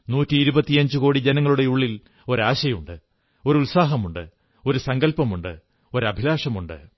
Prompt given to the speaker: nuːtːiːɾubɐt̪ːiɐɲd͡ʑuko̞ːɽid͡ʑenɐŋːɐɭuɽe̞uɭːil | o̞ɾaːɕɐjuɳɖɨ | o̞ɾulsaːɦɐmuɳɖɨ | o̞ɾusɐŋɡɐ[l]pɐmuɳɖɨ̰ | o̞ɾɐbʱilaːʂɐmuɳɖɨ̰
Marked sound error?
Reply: no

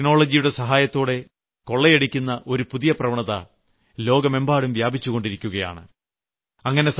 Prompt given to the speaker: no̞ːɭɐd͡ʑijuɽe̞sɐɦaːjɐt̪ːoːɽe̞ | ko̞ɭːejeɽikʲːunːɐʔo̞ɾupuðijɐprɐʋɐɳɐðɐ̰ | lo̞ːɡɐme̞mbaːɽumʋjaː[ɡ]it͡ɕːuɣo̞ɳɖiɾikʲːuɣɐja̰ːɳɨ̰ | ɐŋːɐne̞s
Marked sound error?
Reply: yes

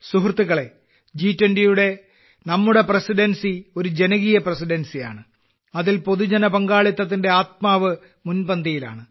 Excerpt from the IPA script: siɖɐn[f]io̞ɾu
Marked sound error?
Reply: yes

